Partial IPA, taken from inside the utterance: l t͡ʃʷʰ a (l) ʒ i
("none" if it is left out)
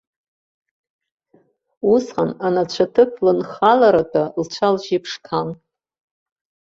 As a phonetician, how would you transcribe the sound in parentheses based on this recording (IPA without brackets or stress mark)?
l